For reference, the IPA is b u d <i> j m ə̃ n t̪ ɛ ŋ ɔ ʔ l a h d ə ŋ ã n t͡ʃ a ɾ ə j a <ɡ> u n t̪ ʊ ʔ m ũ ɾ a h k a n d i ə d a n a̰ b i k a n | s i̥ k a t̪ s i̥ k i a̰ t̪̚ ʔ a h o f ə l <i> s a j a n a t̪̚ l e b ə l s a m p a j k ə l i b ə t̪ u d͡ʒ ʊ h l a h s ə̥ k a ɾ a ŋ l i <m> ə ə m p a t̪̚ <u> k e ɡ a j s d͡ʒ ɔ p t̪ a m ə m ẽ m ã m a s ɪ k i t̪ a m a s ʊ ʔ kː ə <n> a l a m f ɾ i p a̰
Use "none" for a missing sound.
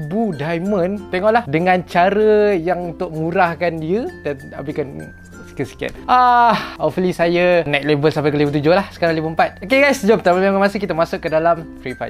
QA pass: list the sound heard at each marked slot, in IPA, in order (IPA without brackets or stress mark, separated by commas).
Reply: a, ŋ, i, b, o, d